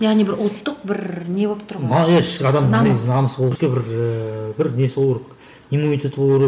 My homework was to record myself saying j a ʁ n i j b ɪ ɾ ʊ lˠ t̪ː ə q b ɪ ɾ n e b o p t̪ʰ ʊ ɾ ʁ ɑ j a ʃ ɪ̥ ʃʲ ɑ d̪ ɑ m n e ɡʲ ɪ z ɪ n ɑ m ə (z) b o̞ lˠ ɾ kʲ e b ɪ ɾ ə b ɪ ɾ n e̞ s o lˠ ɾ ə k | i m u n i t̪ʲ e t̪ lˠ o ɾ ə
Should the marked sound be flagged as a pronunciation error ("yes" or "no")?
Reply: yes